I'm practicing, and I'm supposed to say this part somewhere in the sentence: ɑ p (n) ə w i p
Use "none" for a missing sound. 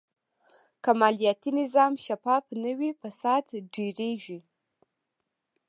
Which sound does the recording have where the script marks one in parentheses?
n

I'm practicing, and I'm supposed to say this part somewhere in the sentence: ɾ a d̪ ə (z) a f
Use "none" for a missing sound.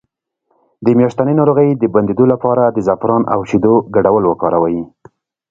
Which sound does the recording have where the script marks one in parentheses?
z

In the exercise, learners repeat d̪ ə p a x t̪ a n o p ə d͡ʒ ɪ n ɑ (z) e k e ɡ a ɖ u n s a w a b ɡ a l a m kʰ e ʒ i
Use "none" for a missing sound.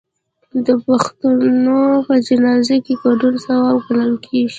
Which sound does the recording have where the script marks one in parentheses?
z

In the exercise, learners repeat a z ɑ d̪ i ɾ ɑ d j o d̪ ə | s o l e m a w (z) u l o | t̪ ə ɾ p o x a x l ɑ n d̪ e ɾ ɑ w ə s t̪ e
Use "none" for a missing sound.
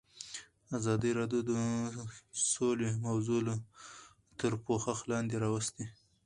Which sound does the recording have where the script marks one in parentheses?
z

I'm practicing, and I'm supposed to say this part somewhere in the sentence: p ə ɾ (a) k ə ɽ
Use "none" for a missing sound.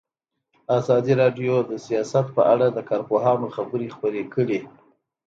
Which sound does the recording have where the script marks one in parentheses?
e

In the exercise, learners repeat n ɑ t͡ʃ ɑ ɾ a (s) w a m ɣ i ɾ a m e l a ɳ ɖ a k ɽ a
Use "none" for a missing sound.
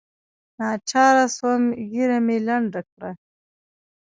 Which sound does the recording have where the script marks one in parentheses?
s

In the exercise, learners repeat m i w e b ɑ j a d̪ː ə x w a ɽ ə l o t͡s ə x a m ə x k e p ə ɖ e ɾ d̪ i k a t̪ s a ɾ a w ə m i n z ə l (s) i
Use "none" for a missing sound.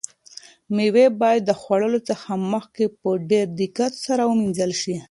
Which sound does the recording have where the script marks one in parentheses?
ʃ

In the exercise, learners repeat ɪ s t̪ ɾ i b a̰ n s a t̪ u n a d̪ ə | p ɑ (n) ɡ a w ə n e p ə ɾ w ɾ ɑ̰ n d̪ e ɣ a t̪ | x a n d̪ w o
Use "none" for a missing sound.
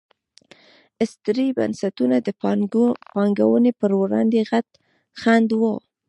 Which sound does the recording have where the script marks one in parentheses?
ŋ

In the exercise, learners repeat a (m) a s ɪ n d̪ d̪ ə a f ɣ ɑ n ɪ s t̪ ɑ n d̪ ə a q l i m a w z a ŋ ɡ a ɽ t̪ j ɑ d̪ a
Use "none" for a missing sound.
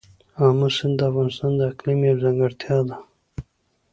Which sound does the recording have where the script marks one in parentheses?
m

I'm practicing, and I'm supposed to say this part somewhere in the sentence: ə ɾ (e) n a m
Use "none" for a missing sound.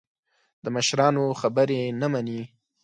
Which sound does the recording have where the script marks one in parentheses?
e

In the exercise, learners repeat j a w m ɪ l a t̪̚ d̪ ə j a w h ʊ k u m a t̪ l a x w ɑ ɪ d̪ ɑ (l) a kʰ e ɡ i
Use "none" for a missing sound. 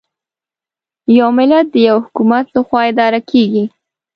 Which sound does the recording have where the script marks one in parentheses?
ɾ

